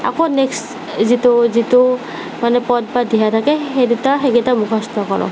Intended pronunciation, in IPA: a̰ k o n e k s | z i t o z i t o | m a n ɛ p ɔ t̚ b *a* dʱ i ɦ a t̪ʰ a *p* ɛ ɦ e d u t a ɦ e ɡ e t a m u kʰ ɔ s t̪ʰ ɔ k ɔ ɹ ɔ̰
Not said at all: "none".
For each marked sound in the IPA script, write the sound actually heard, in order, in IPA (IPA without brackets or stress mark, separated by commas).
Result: a, k